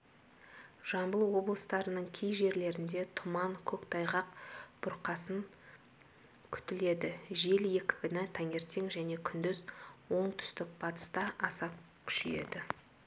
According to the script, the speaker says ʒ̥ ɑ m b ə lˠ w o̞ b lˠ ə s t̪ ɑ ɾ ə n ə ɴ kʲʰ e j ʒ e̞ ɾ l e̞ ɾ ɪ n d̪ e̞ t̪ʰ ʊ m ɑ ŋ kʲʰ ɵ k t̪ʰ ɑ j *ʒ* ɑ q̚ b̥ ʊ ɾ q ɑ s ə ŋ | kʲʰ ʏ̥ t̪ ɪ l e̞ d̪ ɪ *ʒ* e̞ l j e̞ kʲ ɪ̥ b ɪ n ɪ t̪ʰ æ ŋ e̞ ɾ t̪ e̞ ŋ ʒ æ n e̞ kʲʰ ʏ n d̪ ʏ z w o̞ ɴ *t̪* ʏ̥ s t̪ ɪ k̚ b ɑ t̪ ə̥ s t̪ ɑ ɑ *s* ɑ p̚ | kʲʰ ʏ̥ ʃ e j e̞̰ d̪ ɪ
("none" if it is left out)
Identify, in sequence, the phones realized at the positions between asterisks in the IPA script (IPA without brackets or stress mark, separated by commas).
ʁ, ʒ, t̪ʰ, s